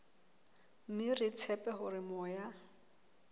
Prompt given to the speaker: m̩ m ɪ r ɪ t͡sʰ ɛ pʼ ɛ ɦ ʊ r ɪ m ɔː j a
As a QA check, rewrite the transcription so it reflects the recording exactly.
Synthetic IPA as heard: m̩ m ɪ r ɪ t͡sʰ ɛ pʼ ɛ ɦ ʊ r ɪ m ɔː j a